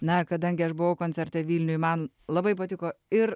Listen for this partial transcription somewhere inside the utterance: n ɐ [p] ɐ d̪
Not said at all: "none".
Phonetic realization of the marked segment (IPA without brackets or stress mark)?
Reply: k